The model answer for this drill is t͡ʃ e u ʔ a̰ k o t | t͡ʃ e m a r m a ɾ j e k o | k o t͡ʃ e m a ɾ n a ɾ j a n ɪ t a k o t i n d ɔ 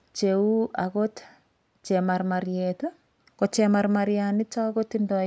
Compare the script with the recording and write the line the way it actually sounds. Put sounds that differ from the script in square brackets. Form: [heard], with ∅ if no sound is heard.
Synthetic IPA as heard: t͡ʃ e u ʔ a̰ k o t | t͡ʃ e m a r m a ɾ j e [t] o | k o t͡ʃ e m a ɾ [m] a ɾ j a n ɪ [t͡ʃ] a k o t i n d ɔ

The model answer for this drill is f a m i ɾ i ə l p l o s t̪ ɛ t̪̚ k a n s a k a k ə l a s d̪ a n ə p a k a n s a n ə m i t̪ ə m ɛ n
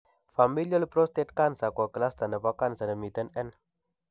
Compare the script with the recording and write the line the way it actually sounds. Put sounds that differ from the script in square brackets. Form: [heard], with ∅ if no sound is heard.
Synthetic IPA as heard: f a m i [l] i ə l p [ɾ] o s t̪ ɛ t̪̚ k a n s a k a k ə l a s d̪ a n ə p a k a n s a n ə m i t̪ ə [n] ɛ n

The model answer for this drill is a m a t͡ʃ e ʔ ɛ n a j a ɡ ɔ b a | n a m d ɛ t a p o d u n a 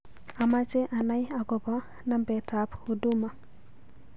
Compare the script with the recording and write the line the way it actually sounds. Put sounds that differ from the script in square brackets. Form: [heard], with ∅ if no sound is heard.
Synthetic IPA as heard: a m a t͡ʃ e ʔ [a] n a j a ɡ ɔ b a | n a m [b] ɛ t a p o d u [m] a

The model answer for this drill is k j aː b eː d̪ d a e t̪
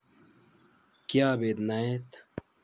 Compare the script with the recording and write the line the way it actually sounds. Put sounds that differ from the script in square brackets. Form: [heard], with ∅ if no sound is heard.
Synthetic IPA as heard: k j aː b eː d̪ [n] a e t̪

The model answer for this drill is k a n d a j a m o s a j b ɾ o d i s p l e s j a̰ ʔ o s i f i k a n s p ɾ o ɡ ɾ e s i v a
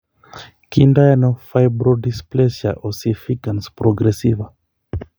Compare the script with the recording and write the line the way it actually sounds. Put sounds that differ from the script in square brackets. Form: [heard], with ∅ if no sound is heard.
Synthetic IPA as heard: k [i] n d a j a [n] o [f] a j b ɾ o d i s p l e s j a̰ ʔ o s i f i k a n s p ɾ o ɡ ɾ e s i v a

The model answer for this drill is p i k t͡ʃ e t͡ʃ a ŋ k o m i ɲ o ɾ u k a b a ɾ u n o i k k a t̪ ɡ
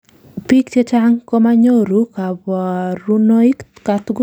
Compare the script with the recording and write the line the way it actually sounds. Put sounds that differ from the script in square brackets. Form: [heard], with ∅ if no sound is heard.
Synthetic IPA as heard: p i k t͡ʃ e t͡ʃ a ŋ k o m [a] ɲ o ɾ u k a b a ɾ u n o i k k a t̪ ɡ

